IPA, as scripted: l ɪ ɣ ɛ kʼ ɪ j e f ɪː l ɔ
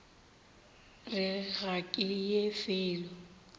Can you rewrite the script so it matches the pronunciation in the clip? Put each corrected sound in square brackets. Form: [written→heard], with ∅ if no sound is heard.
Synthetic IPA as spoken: [l→r] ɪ ɣ [ɛ→a] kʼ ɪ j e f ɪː l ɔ